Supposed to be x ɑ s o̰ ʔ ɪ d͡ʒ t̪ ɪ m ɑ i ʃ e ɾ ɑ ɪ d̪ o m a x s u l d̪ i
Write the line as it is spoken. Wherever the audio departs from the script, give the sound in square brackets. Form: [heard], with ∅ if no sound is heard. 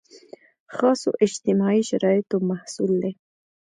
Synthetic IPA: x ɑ s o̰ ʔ ɪ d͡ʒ t̪ ɪ m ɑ i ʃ [a] ɾ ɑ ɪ [t̪] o m a [h] s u l d̪ [e]